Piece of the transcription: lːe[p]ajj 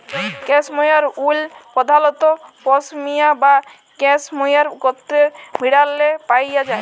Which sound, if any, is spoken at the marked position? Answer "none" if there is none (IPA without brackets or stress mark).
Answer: p